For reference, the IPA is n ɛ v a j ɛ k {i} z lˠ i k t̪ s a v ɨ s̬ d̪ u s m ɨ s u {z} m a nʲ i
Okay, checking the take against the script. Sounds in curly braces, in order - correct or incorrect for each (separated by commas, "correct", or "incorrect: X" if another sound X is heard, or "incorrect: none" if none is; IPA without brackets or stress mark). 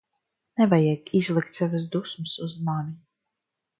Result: correct, correct